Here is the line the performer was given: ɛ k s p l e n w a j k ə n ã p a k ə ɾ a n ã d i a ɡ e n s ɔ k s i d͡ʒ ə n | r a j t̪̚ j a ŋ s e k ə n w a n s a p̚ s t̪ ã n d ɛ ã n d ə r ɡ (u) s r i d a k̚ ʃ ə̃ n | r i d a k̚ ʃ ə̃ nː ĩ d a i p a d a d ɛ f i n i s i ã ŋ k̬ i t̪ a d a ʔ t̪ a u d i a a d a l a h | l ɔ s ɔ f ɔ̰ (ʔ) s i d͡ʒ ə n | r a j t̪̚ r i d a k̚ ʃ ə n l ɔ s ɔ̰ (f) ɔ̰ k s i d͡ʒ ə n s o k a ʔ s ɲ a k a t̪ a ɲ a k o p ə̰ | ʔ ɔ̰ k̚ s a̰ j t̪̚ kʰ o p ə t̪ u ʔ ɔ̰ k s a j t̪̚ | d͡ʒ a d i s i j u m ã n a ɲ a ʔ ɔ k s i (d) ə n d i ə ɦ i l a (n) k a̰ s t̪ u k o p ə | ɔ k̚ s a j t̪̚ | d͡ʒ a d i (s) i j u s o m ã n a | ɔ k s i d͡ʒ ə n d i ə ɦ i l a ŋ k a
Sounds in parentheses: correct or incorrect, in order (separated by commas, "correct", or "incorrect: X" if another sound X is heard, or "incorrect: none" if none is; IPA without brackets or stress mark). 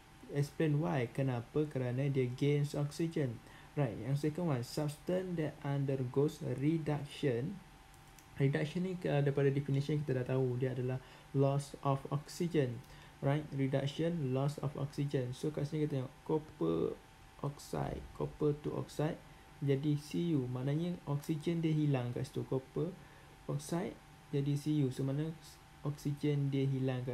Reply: incorrect: o, incorrect: k, correct, incorrect: d͡ʒ, incorrect: ŋ, correct